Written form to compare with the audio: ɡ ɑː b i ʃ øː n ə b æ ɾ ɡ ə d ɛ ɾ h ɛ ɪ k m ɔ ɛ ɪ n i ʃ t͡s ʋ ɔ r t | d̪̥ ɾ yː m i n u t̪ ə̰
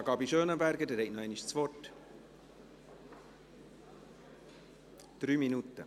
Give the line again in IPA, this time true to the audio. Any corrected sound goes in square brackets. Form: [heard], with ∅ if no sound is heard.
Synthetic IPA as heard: ɡ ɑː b i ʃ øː n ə b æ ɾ ɡ ə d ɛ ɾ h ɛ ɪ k [n] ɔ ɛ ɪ n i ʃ t͡s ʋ ɔ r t | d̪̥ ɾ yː m i n u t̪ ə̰